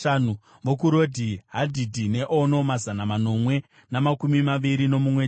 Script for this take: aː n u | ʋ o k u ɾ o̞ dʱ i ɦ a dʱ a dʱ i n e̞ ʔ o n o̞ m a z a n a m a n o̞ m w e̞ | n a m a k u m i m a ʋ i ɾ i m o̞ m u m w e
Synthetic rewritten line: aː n u | ʋ o k u ɾ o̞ dʱ i ɦ a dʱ i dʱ i n e̞ ʔ o n o̞ m a z a n a m a n o̞ m w e̞ | n a m a k u m i m a ʋ i ɾ i n o̞ m u m w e